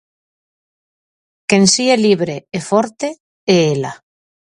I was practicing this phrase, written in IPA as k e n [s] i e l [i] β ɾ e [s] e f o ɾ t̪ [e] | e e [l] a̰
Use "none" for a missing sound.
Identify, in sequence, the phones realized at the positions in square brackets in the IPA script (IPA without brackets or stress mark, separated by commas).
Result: s, i, none, e, l